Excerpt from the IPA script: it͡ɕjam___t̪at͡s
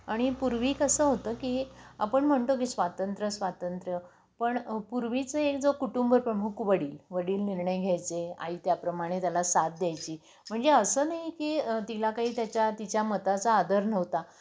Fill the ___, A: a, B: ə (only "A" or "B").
B